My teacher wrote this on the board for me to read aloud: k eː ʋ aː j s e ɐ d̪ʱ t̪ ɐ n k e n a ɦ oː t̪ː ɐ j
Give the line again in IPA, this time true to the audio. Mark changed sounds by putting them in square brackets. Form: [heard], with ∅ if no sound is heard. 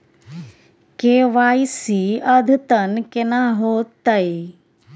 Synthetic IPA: k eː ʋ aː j s [i] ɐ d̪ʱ t̪ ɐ n k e n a ɦ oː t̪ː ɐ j